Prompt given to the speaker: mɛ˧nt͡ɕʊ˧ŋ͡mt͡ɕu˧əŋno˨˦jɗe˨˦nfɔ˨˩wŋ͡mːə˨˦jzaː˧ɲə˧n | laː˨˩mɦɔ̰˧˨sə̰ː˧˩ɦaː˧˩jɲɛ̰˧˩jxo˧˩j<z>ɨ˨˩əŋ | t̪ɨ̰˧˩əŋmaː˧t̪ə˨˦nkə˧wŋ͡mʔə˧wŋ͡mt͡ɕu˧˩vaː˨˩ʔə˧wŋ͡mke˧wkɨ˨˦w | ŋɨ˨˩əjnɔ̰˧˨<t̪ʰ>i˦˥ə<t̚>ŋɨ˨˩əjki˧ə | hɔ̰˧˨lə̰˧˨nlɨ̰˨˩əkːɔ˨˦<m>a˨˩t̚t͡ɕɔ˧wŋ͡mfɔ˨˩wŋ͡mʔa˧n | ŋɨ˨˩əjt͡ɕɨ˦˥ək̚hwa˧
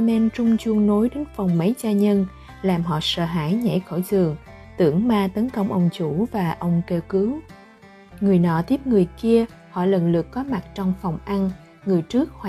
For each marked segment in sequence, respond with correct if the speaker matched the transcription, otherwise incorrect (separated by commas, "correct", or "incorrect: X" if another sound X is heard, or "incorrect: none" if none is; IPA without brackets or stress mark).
correct, incorrect: t̪, incorrect: p̚, correct